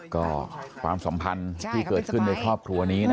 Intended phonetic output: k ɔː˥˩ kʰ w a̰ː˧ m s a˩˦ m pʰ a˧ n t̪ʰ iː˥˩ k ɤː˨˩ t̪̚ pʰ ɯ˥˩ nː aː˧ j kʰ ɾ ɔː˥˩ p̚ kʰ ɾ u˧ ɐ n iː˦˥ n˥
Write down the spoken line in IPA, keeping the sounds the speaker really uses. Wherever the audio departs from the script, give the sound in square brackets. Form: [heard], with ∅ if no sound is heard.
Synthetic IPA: k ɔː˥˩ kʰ w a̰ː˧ m s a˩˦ m pʰ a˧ n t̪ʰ iː˥˩ k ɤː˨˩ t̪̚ [kʰ] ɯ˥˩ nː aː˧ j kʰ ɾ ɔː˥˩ p̚ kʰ ɾ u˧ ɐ n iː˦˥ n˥